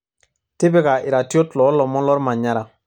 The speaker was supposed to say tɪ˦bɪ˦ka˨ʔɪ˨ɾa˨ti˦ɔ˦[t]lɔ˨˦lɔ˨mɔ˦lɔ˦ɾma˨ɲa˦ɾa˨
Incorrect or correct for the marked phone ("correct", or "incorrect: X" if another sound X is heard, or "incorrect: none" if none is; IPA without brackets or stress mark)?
correct